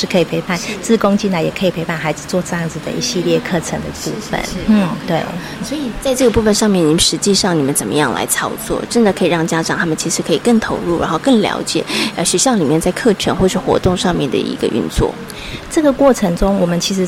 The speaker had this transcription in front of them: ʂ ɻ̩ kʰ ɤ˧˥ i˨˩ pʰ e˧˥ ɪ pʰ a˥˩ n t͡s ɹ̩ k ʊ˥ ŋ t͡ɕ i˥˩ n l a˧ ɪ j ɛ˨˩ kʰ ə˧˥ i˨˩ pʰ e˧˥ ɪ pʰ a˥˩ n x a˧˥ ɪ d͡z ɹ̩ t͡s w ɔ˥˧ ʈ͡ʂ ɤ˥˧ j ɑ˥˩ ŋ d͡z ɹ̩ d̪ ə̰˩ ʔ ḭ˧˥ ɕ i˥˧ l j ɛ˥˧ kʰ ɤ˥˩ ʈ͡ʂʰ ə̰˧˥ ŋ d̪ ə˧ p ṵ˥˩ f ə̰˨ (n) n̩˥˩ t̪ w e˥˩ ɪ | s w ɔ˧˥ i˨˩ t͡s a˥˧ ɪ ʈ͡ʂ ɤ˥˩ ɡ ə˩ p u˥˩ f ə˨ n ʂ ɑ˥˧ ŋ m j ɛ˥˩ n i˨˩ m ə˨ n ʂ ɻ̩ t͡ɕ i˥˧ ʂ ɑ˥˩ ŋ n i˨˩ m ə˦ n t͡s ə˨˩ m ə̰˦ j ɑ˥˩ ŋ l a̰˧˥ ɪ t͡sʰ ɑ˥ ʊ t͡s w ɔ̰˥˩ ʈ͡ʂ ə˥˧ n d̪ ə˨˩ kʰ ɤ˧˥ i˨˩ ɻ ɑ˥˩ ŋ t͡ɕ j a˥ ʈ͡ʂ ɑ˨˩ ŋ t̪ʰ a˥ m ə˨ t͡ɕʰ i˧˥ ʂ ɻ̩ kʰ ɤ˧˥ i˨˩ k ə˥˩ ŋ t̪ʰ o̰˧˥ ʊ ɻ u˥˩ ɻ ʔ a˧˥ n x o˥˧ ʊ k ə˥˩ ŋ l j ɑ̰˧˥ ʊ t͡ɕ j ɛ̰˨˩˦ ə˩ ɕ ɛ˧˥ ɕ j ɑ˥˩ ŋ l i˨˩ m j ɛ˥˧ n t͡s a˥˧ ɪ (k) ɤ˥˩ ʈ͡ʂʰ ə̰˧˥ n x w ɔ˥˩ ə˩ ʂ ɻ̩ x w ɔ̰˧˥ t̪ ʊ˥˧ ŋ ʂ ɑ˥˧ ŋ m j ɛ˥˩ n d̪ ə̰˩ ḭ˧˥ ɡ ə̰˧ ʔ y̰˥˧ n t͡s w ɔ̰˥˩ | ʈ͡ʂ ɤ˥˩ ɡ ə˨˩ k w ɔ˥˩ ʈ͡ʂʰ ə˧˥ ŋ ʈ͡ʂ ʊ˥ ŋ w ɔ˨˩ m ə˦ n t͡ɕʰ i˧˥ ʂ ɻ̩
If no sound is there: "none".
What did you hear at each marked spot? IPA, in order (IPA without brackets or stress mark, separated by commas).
n, kʰ